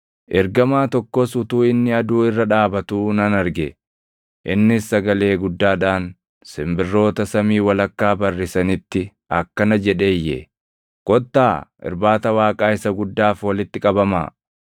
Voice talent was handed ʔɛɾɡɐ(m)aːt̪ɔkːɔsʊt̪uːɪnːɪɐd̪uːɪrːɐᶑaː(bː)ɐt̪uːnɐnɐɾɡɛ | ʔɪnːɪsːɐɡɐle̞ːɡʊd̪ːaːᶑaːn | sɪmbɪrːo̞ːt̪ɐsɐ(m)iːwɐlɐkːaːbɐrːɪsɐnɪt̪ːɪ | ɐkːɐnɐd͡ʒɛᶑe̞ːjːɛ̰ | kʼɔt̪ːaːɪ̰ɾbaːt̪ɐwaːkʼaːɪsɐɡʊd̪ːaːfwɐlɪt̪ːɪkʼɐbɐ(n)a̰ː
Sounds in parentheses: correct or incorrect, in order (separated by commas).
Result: correct, incorrect, correct, incorrect